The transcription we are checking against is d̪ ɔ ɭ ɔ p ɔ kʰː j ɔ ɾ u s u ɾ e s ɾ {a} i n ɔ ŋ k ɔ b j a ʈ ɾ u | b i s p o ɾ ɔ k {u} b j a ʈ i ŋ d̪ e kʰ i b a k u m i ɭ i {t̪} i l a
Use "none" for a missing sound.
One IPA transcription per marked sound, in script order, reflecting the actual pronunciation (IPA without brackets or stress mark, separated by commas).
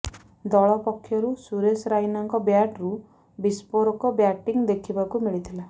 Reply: a, ɔ, t̪ʰ